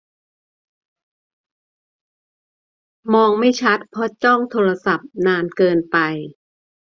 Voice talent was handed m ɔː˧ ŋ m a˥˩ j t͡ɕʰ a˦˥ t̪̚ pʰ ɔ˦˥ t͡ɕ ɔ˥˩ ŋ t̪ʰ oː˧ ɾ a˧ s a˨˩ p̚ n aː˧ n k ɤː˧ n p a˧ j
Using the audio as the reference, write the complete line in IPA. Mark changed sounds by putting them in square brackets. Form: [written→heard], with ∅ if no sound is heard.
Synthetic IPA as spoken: m ɔː˧ ŋ m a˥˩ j t͡ɕʰ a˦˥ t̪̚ pʰ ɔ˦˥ t͡ɕ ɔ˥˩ ŋ t̪ʰ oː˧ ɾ a˧ s a˨˩ p̚ n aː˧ n k ɤː˧ n p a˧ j